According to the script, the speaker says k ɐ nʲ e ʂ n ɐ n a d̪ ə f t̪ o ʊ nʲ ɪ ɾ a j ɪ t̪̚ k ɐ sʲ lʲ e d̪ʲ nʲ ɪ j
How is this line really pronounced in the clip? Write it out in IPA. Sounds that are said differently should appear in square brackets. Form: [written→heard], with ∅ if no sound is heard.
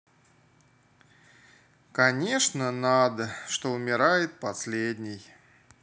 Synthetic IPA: k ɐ nʲ e ʂ n [ɐ→ə] n a d̪ ə [f→ʂ] t̪ o ʊ [nʲ→mʲ] ɪ ɾ a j ɪ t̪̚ [k→p] ɐ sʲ lʲ e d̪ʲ nʲ ɪ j